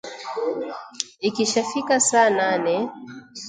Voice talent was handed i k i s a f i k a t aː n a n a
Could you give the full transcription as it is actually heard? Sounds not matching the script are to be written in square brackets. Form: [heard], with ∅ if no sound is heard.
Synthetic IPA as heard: i k i [ʃ] a f i k a [s] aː n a n [ɛ]